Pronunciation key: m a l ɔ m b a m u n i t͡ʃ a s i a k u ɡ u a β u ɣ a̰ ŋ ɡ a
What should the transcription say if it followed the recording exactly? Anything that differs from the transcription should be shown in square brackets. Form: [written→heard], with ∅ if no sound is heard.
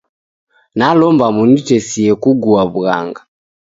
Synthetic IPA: [m→n] a l ɔ m b a m u n i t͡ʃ [a→ɛ] s i [a→ɛ] k u ɡ u a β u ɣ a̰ ŋ ɡ a